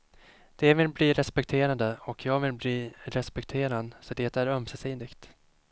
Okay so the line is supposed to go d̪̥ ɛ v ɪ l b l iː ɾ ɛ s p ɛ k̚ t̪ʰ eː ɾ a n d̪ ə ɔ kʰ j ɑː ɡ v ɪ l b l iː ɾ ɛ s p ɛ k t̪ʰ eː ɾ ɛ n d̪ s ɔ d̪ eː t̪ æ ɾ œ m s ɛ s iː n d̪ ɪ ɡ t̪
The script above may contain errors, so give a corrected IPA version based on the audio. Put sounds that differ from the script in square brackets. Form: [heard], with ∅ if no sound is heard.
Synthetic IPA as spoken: d̪̥ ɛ v ɪ l b l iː ɾ ɛ s p ɛ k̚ t̪ʰ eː ɾ a n d̪ ə ɔ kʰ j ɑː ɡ v ɪ l b l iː ɾ ɛ s p ɛ k t̪ʰ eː ɾ [a] n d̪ s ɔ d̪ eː t̪ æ ɾ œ m s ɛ s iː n d̪ ɪ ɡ t̪